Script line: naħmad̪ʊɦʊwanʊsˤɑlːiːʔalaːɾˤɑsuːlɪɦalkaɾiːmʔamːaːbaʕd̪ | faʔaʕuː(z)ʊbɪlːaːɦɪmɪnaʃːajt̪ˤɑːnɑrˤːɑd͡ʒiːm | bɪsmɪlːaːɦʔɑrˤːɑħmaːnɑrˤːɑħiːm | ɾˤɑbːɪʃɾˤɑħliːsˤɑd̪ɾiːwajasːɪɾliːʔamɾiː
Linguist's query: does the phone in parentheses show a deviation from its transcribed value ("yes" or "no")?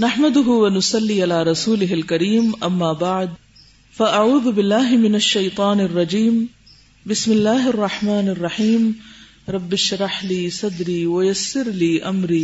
yes